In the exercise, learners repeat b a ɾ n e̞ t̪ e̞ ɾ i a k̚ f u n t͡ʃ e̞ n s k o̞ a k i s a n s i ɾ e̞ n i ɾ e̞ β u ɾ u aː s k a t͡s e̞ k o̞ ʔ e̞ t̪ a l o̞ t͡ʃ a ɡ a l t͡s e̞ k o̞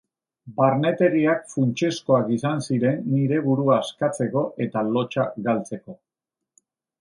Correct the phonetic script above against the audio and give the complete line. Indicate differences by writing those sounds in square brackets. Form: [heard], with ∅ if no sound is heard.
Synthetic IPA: b a ɾ n e̞ t̪ e̞ ɾ i a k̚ f u n t͡ʃ e̞ [∅] s k o̞ a k i s a n s i ɾ e̞ [nː] i ɾ e̞ β u ɾ u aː s k a t͡s e̞ k o̞ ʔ e̞ t̪ a l o̞ t͡ʃ a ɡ a l t͡s e̞ k o̞